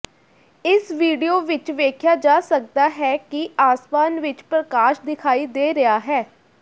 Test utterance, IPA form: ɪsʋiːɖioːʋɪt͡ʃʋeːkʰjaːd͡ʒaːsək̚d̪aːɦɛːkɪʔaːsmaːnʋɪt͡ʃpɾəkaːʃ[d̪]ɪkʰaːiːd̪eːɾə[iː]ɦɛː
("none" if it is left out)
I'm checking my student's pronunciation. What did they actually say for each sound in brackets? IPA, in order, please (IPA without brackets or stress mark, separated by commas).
d̪, aː